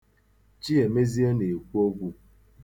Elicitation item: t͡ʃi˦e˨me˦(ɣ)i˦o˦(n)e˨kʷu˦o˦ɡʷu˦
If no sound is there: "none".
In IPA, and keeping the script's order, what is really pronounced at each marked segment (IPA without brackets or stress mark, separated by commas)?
z, n